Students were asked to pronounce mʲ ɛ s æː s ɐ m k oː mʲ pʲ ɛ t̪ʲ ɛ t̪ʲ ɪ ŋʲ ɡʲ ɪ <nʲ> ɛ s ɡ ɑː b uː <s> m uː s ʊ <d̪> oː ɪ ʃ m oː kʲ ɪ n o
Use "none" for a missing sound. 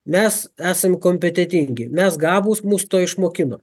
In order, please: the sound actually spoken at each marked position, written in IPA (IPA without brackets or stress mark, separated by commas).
mʲ, s, t̪